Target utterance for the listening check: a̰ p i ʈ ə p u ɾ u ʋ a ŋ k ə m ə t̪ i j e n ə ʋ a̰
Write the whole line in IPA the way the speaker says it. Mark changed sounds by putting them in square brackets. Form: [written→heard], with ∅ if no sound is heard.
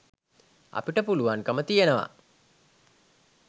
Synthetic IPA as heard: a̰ p i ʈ ə p u [ɾ→l] u ʋ a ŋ k ə m ə t̪ i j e n ə ʋ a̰